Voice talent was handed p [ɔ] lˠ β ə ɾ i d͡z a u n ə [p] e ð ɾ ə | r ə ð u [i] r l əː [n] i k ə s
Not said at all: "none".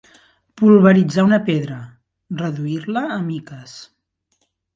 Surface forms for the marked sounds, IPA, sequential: u, p, i, m

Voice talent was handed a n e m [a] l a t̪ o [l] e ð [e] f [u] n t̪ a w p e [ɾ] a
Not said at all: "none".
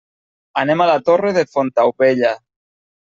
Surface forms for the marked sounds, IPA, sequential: a, r, e, o, ʎ

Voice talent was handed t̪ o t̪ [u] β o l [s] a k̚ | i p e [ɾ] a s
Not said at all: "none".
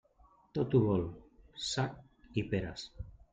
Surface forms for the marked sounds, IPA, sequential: u, s, ɾ

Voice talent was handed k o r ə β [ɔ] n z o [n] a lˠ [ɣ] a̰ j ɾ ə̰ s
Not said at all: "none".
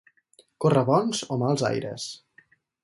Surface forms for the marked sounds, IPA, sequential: ɔ, m, z

